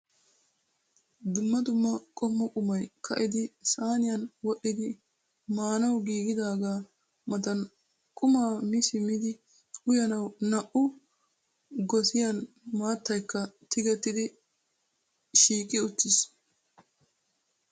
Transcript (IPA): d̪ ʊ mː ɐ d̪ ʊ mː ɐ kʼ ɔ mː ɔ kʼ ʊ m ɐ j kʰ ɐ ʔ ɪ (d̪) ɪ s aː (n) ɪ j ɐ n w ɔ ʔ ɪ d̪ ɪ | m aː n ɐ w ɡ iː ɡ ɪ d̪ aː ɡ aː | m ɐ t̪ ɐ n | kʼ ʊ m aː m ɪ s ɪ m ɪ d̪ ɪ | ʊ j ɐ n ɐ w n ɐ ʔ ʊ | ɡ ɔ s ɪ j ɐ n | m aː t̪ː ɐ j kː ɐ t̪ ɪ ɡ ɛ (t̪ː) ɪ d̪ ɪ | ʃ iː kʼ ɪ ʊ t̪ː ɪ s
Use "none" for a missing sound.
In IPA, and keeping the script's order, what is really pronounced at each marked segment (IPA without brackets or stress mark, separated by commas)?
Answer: d̪, n, t̪ː